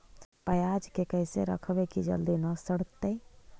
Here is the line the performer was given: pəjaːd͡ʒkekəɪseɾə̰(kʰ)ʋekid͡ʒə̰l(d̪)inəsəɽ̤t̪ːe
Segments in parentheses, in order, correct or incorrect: correct, correct

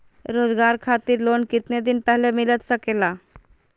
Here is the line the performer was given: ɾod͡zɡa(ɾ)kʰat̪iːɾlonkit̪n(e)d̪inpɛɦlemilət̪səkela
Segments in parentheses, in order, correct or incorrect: correct, correct

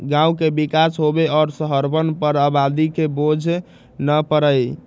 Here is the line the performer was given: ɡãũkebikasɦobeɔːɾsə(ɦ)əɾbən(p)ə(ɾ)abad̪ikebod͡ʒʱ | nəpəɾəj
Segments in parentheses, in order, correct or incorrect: correct, correct, correct

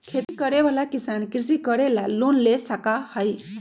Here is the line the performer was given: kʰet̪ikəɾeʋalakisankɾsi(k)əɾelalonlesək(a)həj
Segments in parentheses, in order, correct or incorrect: correct, correct

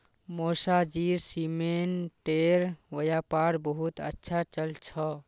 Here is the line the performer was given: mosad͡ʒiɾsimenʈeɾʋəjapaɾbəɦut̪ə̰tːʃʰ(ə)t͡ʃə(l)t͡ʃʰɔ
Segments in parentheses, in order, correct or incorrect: incorrect, correct

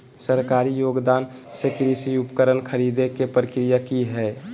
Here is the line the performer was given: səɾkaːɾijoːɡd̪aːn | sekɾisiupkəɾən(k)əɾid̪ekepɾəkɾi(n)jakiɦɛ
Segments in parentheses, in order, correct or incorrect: incorrect, incorrect

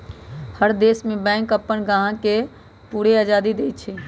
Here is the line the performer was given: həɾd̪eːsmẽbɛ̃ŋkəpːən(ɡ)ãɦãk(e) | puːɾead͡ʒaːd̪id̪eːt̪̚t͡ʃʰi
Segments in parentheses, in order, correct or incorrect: correct, correct

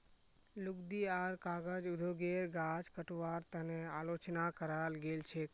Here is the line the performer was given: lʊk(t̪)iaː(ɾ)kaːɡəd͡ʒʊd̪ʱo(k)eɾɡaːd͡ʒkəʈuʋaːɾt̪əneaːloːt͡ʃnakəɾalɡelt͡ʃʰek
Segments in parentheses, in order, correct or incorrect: incorrect, correct, incorrect

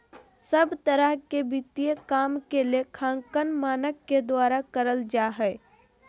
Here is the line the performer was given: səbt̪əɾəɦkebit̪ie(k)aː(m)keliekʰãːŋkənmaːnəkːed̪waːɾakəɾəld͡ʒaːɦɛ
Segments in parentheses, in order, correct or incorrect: correct, correct

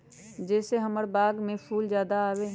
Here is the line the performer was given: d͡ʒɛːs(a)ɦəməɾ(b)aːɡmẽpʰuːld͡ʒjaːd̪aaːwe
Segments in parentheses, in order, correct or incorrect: incorrect, correct

